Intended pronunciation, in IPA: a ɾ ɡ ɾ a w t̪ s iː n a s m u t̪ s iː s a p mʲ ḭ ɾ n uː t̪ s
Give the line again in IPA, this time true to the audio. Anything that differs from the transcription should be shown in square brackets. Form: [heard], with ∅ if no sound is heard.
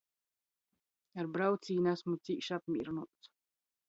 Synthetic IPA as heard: a ɾ [b] ɾ a w t̪ s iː n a s m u t̪ s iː [ʃ] a p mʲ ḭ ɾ n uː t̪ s